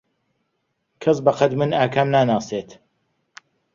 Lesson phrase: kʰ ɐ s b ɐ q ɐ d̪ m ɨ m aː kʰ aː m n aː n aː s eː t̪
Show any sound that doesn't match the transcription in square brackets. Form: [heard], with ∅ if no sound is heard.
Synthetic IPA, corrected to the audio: kʰ ɐ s b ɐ q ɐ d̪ m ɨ [n] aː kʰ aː m n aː n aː s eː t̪